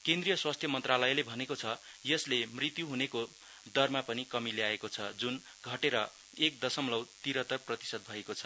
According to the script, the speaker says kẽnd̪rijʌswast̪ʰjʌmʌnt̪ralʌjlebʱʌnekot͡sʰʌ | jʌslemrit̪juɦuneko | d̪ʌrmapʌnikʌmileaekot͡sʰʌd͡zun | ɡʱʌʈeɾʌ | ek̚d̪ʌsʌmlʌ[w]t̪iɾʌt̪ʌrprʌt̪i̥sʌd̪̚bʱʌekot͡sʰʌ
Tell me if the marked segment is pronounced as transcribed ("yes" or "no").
yes